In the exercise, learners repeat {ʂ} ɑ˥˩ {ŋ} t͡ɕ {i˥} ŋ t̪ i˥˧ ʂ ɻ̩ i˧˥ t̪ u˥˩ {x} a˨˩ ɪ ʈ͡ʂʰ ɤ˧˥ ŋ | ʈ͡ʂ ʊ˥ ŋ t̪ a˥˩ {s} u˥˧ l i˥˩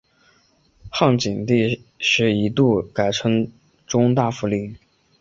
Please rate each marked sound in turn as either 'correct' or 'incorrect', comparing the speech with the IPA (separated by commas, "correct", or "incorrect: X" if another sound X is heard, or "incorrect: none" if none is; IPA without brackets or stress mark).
incorrect: x, correct, incorrect: i˨˩, incorrect: k, incorrect: f